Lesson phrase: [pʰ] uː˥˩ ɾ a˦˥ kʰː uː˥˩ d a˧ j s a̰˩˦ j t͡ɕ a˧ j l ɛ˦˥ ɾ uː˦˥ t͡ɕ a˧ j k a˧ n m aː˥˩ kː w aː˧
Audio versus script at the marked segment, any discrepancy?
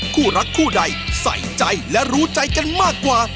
yes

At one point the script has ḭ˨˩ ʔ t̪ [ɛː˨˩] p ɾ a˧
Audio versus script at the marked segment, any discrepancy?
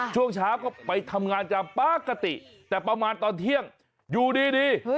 no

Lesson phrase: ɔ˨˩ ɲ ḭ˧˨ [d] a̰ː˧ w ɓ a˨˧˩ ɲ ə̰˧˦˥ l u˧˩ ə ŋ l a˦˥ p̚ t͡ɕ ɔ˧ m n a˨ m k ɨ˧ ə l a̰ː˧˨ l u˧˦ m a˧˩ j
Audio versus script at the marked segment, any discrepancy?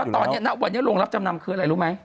yes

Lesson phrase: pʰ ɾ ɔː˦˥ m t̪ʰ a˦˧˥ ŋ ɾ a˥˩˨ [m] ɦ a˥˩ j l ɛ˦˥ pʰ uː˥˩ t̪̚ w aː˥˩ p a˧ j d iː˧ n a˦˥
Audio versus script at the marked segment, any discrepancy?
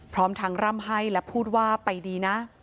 no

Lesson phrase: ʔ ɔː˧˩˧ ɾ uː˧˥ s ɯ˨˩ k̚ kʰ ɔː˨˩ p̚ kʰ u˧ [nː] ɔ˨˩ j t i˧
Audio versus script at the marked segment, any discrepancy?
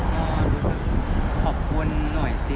no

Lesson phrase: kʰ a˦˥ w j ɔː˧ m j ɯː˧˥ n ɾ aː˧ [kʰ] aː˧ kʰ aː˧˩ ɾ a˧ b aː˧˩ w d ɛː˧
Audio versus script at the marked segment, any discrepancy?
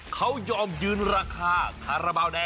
no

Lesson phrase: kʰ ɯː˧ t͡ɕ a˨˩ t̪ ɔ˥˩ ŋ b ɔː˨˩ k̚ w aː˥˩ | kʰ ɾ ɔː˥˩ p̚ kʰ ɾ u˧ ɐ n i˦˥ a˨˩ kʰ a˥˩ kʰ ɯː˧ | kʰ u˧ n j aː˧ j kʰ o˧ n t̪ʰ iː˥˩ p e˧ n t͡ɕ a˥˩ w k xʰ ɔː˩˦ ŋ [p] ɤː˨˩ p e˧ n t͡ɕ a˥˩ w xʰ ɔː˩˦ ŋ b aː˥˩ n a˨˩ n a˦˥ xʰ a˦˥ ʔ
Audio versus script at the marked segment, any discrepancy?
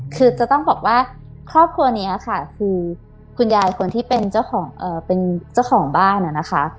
yes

